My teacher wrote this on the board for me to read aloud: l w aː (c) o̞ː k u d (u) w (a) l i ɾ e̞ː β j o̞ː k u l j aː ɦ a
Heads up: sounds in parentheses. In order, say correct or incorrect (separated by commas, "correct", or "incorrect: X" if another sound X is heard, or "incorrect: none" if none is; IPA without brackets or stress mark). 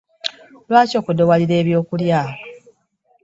correct, incorrect: o, correct